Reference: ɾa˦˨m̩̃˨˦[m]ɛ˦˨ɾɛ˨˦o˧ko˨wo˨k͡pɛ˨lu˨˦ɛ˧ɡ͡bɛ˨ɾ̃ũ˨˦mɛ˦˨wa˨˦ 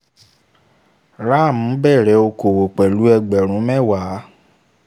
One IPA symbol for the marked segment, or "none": b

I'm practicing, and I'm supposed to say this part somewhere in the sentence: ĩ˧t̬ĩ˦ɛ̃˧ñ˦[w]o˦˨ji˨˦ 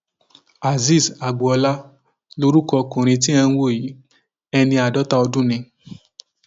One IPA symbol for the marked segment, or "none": w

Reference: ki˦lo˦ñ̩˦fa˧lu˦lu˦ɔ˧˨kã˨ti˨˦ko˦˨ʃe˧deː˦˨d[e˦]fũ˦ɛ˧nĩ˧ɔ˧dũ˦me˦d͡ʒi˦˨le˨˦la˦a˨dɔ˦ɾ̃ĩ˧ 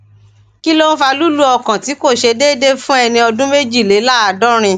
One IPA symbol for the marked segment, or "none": e˦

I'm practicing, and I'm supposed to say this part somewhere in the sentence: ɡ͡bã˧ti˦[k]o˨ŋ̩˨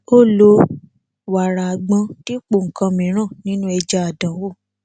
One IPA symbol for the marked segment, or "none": k͡p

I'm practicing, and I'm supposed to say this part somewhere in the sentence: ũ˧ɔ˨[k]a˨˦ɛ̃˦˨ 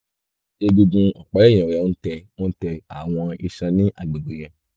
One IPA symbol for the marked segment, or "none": k͡p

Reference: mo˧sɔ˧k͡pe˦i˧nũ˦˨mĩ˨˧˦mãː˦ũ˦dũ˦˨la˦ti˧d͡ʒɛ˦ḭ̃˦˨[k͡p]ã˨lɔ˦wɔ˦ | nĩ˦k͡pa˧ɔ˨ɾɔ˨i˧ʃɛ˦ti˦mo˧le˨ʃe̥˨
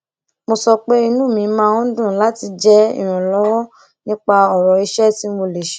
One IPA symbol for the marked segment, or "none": none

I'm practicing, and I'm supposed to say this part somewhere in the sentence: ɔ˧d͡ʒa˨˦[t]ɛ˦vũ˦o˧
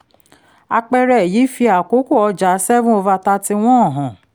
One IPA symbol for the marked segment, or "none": s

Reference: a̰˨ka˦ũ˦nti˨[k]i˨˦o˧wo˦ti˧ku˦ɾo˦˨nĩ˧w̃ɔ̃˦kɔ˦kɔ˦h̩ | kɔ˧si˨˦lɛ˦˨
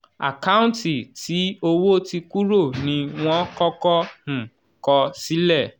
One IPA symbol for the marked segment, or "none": t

